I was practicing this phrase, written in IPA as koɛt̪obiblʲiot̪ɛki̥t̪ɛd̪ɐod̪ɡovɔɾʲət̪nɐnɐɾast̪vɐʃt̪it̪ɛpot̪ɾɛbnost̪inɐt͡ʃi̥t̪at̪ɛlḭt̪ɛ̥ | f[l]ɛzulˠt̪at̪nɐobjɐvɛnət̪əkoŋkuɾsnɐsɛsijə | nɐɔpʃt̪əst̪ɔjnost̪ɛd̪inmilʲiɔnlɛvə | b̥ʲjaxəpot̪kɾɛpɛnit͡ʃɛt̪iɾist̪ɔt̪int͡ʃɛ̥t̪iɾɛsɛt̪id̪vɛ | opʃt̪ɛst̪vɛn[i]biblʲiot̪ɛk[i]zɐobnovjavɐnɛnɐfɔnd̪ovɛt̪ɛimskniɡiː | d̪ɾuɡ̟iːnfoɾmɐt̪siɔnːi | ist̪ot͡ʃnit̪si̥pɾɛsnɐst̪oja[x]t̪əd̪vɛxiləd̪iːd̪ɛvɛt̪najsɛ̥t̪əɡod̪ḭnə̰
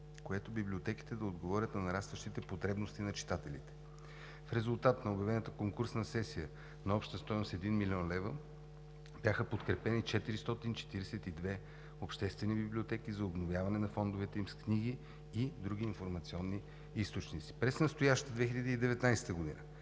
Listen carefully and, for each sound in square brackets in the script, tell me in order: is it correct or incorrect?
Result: incorrect: ɾ, correct, correct, incorrect: ʃ

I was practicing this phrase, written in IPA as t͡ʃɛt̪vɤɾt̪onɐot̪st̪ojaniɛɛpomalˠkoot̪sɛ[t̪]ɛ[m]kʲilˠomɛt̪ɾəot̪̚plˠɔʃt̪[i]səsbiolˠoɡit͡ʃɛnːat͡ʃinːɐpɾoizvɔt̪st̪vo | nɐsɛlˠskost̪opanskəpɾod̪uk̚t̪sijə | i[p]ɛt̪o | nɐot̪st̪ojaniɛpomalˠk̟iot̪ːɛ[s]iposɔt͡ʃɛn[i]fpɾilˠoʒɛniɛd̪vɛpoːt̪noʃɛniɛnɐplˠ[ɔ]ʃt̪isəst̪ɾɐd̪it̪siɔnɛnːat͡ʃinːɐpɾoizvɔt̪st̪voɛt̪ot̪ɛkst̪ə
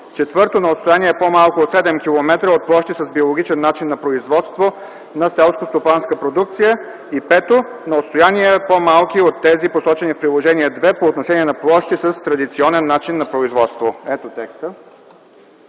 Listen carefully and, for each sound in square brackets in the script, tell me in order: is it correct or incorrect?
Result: incorrect: d̪, correct, correct, correct, incorrect: z, correct, correct

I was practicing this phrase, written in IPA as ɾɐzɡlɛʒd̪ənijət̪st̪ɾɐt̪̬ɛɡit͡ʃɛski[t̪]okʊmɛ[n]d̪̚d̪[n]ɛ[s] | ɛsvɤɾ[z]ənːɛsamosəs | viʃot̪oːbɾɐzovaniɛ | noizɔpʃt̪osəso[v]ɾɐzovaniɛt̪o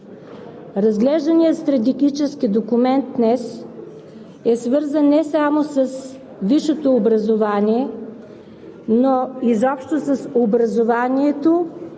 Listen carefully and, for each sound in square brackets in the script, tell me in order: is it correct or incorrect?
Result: incorrect: d̪, correct, correct, correct, correct, incorrect: b

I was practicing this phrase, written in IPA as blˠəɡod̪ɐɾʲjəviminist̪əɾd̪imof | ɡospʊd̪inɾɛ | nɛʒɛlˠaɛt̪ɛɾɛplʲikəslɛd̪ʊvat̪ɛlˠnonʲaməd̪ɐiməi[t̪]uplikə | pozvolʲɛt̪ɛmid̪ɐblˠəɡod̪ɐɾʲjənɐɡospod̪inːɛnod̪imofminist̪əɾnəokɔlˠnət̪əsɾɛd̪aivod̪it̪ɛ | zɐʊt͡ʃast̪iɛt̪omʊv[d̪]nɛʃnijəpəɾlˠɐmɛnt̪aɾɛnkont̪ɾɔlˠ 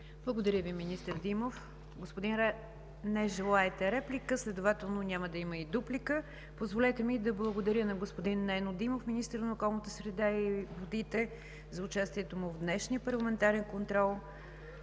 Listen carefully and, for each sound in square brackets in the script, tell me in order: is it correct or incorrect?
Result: incorrect: d̪, correct

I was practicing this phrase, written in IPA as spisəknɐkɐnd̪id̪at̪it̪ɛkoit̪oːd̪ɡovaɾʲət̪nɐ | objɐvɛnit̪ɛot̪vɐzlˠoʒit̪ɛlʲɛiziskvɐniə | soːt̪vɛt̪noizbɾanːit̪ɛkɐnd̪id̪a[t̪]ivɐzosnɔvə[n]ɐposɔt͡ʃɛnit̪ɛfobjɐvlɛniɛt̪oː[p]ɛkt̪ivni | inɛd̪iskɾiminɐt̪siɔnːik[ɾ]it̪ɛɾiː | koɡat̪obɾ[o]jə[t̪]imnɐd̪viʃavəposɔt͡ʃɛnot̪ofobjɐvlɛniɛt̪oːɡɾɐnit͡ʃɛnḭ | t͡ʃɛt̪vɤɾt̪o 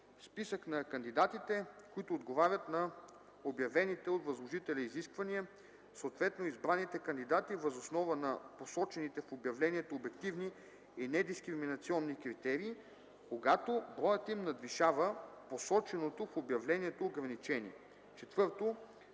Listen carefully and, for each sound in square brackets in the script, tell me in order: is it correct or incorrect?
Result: correct, correct, incorrect: b, correct, incorrect: ɔ, correct

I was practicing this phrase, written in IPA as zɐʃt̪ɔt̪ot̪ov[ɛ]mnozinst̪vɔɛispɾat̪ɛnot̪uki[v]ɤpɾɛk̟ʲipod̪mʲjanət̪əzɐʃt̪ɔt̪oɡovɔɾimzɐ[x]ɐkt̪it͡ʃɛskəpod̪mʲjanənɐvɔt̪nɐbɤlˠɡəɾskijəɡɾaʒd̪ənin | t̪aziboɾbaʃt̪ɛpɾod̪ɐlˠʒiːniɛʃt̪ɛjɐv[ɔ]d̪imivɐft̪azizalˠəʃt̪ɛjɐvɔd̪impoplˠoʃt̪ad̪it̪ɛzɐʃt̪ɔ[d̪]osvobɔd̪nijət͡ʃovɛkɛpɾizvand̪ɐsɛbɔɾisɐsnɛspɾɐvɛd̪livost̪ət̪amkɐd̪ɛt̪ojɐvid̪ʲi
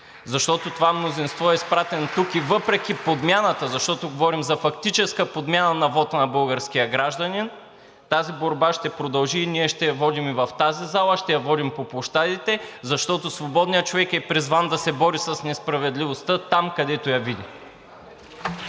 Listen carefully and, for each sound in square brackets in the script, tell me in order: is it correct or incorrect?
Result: incorrect: a, correct, incorrect: f, correct, incorrect: t̪

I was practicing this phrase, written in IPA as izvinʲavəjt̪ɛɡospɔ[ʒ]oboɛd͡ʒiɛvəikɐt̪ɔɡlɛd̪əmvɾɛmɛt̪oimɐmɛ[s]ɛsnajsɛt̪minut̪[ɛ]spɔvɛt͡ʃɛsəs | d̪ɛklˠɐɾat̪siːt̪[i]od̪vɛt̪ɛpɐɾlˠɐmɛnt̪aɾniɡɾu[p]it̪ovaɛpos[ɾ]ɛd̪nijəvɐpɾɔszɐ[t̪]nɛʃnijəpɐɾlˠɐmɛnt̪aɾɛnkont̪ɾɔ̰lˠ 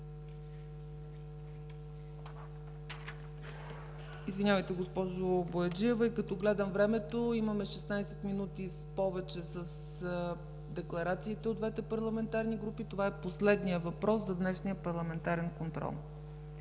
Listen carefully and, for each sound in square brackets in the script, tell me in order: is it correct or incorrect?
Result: correct, incorrect: ʃ, incorrect: i, incorrect: ɛ, correct, incorrect: l, incorrect: d̪

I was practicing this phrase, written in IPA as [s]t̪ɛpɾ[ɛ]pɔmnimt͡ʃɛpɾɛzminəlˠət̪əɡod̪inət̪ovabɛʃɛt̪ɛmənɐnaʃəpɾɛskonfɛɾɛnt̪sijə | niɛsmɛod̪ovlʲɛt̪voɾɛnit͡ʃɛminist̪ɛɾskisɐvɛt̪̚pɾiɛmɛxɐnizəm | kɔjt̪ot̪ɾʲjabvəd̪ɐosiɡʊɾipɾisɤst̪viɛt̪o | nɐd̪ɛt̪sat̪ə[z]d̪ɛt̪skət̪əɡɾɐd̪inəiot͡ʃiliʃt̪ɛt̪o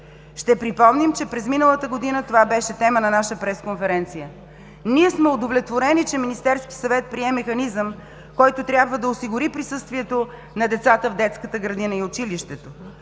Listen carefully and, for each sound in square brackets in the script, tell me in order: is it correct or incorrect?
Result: incorrect: ʃ, incorrect: i, incorrect: v

